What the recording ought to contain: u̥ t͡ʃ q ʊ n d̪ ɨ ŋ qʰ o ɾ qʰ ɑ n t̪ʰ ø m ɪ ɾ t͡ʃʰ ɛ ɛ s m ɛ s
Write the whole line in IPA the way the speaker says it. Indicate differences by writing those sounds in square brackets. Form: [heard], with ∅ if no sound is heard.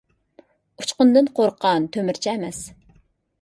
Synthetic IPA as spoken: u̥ t͡ʃ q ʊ n d̪ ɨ [n] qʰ o ɾ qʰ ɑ n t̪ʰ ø m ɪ ɾ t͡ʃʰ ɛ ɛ [∅] m ɛ s